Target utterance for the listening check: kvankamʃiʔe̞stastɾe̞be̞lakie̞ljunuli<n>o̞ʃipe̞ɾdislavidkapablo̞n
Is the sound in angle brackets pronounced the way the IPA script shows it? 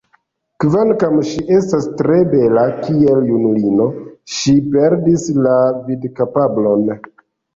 yes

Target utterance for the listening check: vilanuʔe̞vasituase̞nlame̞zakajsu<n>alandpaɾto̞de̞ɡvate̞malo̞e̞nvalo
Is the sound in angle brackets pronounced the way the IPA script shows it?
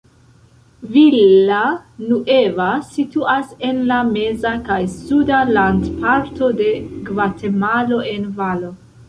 no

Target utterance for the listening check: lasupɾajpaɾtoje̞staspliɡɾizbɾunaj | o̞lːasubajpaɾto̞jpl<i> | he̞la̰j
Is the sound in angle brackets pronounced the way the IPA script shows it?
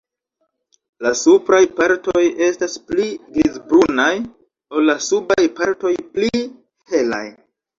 yes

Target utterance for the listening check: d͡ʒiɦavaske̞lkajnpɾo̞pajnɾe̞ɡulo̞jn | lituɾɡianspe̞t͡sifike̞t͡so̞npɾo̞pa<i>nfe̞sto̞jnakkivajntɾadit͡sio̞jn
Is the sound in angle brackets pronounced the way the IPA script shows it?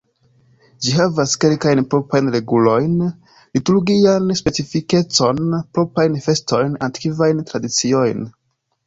no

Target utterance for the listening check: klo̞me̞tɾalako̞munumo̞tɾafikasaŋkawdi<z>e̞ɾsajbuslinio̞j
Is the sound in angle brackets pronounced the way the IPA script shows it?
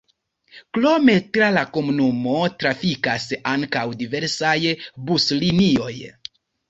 no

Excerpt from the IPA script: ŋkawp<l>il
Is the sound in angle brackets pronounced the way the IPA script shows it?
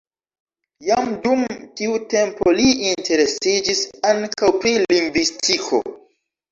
no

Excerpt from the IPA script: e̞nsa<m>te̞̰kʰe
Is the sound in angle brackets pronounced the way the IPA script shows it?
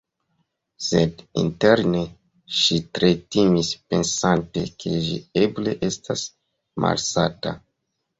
no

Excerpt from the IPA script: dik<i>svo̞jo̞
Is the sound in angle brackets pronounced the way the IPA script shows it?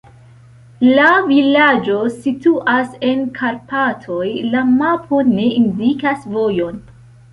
no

